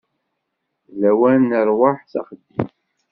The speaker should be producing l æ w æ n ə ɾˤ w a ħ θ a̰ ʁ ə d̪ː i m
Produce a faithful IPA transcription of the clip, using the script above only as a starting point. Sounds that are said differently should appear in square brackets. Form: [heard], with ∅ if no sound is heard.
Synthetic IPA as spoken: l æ w æ n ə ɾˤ w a ħ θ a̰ [χ] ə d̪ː i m